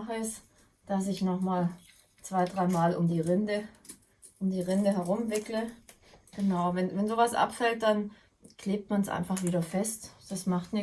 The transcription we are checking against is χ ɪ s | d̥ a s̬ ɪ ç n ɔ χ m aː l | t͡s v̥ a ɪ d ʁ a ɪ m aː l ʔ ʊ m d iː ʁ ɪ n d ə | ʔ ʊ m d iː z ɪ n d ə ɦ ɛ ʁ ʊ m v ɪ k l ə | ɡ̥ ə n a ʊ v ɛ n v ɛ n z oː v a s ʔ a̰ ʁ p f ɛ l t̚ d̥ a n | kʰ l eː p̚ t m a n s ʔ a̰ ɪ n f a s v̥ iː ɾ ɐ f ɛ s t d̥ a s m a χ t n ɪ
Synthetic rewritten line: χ ɪ s | d̥ a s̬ ɪ ç n ɔ χ m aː l | t͡s v̥ a ɪ d ʁ a ɪ m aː l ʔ ʊ m d iː ʁ ɪ n d ə | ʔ ʊ m d iː ʁ ɪ n d ə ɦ ɛ ʁ ʊ m v ɪ k l ə | ɡ̥ ə n a ʊ v ɛ n v ɛ n z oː v a s ʔ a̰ p f ɛ l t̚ d̥ a n | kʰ l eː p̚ t m a n s ʔ a̰ ɪ n f a χ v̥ iː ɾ ɐ f ɛ s t d̥ a s m a χ t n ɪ

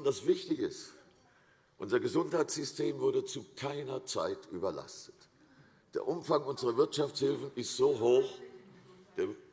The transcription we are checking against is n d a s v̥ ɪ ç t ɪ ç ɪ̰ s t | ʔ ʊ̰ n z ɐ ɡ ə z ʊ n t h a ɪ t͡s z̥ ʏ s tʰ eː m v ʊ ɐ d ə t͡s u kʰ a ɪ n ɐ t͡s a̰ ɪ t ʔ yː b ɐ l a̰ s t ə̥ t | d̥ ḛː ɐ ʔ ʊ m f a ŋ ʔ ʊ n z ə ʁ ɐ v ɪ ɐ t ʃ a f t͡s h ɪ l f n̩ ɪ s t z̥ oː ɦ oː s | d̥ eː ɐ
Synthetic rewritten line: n d a s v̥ ɪ ç t ɪ ç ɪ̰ s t | ʔ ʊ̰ n z ɐ ɡ ə z ʊ n t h a ɪ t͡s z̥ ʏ s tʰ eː m v ʊ ɐ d ə t͡s u kʰ a ɪ n ɐ t͡s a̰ ɪ t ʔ yː b ɐ l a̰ s t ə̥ t | d̥ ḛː ɐ ʔ ʊ m f a ŋ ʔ ʊ n z ə ʁ ɐ v ɪ ɐ t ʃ a f t͡s h ɪ l f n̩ ɪ s t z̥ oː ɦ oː x | d̥ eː ɐ

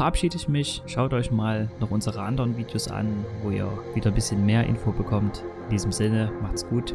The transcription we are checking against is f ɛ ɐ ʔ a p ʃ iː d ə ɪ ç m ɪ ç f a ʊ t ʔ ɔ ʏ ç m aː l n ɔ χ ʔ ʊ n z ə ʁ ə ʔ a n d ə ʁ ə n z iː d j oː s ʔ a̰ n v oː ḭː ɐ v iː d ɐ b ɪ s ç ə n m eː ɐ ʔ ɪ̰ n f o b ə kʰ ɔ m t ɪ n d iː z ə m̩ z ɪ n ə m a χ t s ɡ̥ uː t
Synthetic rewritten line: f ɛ ɐ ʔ a p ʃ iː d ə ɪ ç m ɪ ç ʃ a ʊ t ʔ ɔ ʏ ç m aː l n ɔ χ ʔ ʊ n z ə ʁ ə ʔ a n d ə ʁ ə n v iː d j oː s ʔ a̰ n v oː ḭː ɐ v iː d ɐ b ɪ s ç ə n m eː ɐ ʔ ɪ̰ n f o b ə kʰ ɔ m t ɪ n d iː z ə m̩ z ɪ n ə m a χ t s ɡ̥ uː t

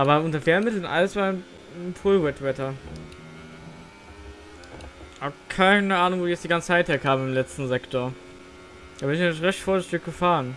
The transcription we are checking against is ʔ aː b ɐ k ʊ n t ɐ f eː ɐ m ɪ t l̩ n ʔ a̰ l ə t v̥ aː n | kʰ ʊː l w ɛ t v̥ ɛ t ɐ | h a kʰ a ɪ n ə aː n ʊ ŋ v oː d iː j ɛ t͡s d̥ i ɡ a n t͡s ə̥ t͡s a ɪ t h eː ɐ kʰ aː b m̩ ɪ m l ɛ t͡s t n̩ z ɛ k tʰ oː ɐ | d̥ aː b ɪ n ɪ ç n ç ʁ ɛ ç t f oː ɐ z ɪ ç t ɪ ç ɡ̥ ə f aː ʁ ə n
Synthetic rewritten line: ʔ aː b ɐ ʊ n t ɐ f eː ɐ m ɪ t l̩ n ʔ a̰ l ə s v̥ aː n | pʰ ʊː l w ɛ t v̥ ɛ t ɐ | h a kʰ a ɪ n ə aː n ʊ ŋ v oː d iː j ɛ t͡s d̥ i ɡ a n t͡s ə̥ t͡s a ɪ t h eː ɐ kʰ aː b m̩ ɪ m l ɛ t͡s t n̩ z ɛ k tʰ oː ɐ | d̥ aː b ɪ n ɪ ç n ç ʁ ɛ ç t f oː ɐ z ɪ ç t ɪ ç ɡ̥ ə f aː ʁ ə n

